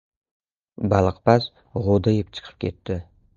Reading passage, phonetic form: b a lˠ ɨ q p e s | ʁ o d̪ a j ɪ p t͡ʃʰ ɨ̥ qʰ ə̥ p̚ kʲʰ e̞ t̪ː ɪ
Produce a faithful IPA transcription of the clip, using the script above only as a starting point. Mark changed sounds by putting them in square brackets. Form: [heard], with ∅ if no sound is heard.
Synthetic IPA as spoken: b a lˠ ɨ q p [a] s | ʁ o d̪ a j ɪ p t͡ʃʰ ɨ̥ qʰ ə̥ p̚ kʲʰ e̞ t̪ː ɪ